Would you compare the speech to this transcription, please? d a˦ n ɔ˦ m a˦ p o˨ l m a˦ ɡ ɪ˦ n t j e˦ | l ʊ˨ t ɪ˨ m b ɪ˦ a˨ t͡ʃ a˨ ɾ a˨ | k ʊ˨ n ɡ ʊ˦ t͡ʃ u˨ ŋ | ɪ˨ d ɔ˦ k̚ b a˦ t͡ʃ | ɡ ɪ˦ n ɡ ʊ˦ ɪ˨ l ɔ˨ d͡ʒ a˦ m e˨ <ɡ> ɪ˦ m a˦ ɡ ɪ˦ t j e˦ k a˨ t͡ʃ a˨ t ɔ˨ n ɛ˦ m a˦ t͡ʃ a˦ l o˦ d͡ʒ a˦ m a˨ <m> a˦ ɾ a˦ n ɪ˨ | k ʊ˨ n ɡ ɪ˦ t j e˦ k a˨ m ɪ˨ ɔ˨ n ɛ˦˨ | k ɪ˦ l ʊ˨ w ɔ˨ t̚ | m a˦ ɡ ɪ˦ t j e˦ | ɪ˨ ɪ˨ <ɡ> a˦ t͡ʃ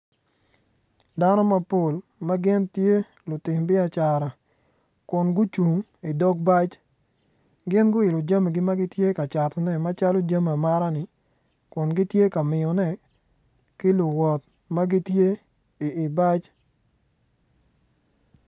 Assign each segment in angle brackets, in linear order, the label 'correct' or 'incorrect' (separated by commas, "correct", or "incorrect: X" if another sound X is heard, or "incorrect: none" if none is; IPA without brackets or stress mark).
correct, correct, incorrect: b